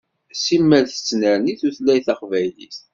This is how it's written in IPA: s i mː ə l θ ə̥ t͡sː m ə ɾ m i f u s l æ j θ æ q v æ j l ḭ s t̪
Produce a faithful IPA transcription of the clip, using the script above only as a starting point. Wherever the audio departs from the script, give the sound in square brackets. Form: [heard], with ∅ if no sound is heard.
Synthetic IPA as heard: s i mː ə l θ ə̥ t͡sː [n] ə ɾ [n] i [θ] u [θ] l æ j θ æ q v æ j l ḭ s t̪